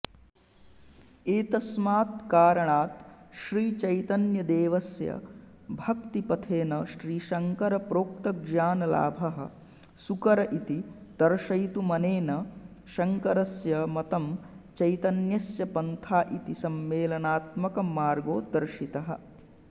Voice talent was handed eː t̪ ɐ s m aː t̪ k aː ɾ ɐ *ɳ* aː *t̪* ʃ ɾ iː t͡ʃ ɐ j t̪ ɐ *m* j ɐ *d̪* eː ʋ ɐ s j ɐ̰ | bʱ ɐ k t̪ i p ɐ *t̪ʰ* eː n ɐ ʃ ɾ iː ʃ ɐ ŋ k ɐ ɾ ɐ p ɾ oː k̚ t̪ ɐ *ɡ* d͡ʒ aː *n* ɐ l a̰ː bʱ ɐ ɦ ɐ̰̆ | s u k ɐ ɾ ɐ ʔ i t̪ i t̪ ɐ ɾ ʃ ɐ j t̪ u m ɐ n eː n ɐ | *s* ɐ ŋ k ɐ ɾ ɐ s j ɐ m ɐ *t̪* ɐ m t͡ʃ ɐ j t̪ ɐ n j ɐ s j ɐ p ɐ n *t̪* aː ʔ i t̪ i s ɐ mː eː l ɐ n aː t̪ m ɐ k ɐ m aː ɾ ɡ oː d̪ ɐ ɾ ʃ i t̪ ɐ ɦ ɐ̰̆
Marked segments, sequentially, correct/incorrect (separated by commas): correct, correct, incorrect, correct, correct, correct, correct, incorrect, correct, incorrect